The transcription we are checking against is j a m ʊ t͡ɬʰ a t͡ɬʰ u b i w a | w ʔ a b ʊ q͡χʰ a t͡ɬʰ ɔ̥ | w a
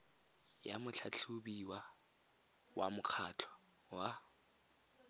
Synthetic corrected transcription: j a m ʊ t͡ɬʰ a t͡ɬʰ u b i w a | w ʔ a m ʊ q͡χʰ a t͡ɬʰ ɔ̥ | w a